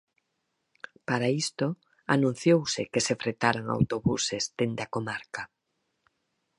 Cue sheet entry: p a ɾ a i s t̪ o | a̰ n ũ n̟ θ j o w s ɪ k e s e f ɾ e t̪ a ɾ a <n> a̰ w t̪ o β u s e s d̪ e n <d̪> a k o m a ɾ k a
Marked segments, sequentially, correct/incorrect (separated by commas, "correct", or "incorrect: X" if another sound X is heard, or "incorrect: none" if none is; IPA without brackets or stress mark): incorrect: ŋ, correct